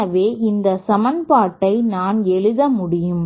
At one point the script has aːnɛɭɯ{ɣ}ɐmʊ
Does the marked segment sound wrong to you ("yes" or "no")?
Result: yes